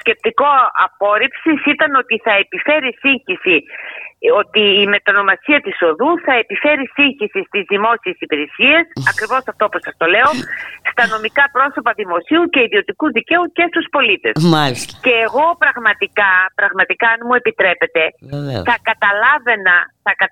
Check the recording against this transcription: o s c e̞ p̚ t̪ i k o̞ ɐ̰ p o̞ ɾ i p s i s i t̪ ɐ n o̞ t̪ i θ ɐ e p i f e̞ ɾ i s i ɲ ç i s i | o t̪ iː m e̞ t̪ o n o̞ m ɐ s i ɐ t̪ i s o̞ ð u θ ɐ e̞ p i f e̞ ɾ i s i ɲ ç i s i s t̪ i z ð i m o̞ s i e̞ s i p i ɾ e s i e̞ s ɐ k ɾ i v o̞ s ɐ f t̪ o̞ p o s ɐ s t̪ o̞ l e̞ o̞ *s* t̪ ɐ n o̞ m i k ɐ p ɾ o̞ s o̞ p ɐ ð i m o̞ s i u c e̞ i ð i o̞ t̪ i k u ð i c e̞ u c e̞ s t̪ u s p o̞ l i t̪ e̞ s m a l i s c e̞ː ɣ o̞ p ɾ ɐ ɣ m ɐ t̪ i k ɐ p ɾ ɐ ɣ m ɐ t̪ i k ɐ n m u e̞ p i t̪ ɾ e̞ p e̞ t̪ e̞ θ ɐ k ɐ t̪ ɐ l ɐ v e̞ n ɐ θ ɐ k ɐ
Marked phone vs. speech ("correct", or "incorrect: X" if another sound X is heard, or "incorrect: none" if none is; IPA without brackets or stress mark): correct